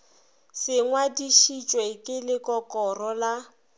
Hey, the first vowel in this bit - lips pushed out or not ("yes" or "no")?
no